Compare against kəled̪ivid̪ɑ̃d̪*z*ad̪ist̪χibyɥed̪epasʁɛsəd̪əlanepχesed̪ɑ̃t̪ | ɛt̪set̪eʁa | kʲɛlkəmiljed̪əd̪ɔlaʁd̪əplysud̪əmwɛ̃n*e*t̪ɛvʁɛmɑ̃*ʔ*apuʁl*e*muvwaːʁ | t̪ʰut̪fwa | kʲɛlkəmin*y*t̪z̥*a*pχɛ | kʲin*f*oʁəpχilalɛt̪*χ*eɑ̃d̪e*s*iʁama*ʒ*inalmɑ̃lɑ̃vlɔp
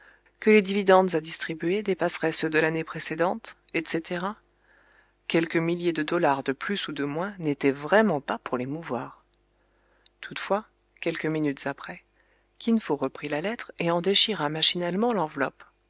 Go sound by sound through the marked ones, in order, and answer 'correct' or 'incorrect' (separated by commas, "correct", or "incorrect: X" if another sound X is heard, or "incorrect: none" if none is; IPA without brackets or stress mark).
correct, correct, incorrect: p, correct, correct, correct, correct, correct, incorrect: ʃ, incorrect: ʃ